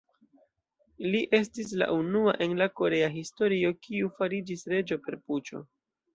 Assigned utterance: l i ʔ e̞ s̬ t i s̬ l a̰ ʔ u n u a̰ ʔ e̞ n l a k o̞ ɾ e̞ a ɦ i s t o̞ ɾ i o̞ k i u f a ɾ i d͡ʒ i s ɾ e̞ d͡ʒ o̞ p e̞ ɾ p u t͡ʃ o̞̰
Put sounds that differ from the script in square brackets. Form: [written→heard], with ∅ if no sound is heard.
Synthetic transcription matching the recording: l i ʔ e̞ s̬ t i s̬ l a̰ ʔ u n u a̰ ʔ e̞ n l a k o̞ ɾ e̞ a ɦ i s t o̞ ɾ i o̞ k i u f a ɾ i d͡ʒ i s ɾ e̞ d͡ʒ o̞ p e̞ ɾ p u t͡ʃ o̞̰